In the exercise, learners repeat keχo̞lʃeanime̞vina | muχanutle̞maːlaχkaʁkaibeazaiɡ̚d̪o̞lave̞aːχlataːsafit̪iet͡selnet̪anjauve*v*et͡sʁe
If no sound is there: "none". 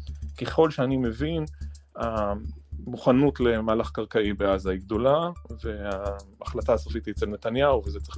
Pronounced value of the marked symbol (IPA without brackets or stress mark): z